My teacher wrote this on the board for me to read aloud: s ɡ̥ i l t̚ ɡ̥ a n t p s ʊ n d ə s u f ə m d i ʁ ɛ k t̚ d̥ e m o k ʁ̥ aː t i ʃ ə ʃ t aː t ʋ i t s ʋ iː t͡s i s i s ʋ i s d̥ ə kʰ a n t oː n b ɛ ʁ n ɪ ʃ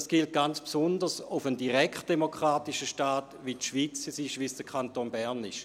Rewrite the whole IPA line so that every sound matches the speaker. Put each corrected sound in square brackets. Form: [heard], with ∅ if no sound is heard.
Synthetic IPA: s ɡ̥ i l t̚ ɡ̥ a n [t͡s] p s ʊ n d ə s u f ə [n] d i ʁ ɛ k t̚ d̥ e m o k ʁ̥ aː t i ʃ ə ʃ t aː t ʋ i t [ʃ] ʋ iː t͡s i s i [ʃ] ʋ i s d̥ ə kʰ a n t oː n b ɛ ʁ n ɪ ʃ